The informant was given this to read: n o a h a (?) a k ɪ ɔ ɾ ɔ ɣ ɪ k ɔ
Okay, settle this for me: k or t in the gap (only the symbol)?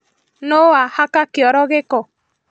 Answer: k